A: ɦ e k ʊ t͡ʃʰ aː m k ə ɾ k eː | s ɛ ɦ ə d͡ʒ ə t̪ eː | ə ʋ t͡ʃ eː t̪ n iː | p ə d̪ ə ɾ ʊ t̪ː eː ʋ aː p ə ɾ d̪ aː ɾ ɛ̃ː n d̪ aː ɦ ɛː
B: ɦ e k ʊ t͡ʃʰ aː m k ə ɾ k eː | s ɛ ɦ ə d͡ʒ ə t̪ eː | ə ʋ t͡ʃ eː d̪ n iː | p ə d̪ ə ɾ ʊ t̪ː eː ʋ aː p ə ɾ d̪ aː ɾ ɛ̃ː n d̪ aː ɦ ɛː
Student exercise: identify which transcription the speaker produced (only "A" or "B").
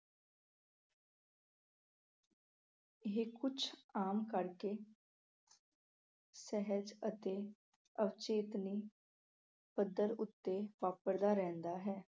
A